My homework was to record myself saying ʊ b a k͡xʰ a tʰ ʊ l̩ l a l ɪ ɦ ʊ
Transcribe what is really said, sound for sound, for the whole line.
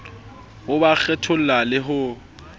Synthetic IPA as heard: ʊ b a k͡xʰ ɛ tʰ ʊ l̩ l a l ɪ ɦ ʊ